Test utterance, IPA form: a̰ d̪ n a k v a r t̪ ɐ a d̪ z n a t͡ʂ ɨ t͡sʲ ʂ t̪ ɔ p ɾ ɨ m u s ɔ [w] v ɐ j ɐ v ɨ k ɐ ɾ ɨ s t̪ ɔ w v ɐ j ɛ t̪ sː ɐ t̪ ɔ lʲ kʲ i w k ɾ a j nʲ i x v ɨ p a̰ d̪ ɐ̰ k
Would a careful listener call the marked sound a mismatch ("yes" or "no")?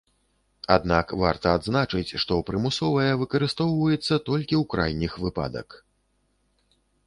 yes